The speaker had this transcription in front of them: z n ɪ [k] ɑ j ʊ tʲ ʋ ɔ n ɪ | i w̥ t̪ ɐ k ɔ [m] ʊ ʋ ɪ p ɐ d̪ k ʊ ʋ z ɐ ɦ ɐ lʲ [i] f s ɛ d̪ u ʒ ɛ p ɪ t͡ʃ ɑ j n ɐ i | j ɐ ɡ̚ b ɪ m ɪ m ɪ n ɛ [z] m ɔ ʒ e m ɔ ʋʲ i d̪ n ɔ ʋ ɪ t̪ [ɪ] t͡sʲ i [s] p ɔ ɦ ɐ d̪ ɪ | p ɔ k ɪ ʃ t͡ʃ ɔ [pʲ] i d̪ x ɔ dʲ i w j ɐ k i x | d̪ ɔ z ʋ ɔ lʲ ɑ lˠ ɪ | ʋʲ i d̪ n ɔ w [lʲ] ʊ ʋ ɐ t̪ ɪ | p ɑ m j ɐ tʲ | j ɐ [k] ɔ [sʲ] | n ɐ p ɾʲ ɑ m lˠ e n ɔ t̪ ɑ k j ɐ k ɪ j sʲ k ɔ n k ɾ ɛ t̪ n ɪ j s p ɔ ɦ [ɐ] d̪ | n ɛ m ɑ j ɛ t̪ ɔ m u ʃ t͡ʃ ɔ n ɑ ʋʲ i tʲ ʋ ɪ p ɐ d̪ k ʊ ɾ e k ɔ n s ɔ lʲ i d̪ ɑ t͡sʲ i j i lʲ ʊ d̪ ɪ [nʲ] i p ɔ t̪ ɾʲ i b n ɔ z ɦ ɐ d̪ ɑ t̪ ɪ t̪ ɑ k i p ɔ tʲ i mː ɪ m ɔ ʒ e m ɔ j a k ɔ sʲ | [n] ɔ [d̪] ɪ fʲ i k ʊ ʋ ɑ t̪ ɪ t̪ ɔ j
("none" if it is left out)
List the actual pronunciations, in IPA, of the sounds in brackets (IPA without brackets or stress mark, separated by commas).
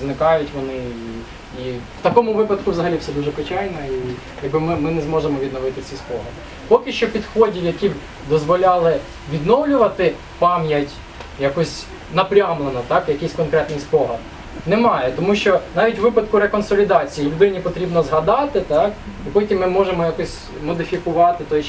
k, m, i, z, ɪ, s, pʲ, lʲ, k, sʲ, ɐ, nʲ, m, d̪